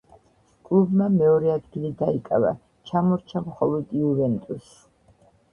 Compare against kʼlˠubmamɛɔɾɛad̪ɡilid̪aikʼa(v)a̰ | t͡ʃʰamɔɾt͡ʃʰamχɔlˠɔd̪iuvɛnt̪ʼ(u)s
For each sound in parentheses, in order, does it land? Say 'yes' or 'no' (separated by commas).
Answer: yes, yes